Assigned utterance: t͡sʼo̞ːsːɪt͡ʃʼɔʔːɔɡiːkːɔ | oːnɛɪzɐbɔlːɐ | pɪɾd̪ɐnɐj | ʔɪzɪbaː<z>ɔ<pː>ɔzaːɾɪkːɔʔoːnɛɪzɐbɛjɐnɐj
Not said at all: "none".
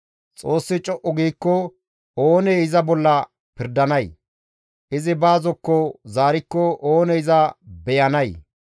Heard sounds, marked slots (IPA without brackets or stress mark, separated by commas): z, kː